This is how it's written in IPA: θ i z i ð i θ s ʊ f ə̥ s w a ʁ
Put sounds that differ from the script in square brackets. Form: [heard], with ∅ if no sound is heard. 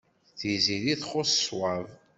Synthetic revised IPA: θ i z i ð i θ [χ] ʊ [s] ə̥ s w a [v]